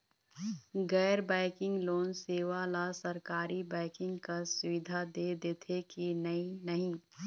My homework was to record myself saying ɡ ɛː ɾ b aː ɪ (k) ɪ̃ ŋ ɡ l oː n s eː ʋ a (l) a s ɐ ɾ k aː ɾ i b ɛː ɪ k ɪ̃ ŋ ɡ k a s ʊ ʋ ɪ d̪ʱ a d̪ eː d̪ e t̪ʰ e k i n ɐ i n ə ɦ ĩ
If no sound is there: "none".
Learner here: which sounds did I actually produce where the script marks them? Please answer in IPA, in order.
k, l

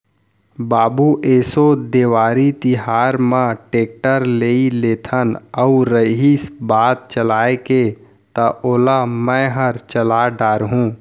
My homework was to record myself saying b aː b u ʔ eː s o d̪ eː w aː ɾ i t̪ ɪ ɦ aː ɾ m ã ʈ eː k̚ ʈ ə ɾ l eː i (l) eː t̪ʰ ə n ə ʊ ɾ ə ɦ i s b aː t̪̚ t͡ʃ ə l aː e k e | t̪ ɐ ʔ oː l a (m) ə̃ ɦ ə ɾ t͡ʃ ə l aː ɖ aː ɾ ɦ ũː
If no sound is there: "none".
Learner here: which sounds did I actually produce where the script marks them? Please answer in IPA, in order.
l, m

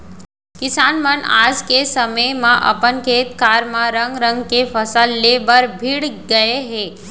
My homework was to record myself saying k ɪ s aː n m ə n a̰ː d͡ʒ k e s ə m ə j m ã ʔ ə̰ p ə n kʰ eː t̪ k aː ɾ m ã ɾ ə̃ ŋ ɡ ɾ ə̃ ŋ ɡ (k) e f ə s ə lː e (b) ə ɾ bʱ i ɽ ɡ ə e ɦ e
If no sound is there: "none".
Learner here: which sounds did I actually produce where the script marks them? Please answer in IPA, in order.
k, b

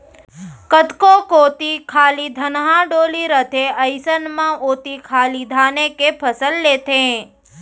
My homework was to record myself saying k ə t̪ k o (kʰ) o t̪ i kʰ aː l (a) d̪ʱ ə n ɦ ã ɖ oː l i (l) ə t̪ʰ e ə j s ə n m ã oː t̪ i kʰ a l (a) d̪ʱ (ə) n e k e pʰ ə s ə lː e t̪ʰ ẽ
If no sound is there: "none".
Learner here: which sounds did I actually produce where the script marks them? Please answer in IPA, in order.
k, i, ɾ, i, a

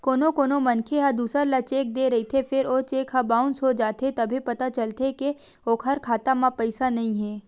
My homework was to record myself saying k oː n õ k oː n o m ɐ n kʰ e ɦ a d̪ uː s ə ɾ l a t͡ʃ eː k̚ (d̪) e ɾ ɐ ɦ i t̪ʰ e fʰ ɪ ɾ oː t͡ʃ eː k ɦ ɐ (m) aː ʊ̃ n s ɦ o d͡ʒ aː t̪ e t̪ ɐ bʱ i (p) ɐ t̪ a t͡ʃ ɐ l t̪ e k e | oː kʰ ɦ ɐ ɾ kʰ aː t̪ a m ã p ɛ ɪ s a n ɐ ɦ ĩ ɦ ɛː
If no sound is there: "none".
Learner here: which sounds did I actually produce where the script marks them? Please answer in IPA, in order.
d̪, b, p

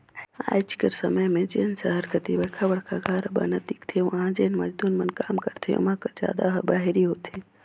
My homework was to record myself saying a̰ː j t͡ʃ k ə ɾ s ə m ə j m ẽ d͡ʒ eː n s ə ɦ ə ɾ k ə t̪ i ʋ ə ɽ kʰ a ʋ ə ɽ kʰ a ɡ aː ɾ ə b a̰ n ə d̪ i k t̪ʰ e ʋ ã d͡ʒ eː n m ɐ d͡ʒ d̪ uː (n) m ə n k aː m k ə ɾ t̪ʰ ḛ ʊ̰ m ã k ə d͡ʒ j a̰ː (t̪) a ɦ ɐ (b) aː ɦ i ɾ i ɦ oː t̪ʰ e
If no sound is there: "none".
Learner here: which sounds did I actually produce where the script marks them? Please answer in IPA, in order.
n, d̪, b

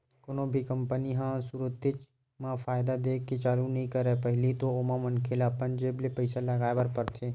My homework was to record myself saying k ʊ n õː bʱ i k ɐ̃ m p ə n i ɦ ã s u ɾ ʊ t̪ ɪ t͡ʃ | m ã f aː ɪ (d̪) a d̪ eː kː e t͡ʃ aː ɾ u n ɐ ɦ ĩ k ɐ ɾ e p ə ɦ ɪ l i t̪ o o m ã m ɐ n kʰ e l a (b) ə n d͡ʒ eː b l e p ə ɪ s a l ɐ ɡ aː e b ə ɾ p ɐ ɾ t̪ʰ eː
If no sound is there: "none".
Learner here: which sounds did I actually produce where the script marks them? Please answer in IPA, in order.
d̪, p

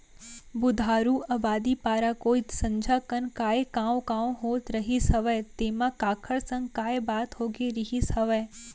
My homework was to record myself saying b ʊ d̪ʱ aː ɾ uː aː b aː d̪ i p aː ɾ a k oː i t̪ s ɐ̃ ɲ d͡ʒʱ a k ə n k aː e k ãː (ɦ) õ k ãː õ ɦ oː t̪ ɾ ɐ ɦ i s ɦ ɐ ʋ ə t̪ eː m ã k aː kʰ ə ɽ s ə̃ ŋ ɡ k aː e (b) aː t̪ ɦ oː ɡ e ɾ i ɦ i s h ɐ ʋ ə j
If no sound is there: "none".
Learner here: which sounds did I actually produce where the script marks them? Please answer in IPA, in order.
none, b

